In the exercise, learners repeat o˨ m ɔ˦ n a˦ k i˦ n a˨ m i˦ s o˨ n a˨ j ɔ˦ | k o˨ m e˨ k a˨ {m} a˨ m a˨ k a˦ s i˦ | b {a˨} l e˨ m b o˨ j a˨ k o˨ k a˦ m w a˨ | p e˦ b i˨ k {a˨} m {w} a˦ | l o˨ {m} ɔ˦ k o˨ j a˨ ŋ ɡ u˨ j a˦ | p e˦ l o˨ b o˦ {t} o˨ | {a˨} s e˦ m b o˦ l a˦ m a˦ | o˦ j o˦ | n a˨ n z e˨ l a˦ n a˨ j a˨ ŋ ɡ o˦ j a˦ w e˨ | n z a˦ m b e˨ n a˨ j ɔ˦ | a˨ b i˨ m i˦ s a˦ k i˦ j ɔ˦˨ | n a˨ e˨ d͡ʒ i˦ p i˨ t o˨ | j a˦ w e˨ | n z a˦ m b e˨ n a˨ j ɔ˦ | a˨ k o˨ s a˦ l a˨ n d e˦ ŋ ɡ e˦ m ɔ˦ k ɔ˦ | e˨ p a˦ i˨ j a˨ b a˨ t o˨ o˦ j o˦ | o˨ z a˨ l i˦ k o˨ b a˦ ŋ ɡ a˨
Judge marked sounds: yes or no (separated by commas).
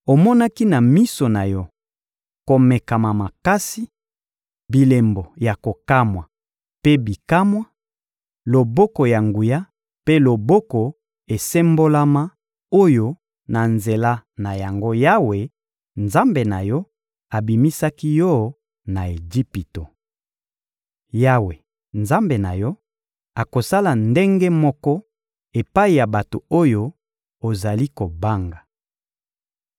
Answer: yes, no, no, yes, no, no, no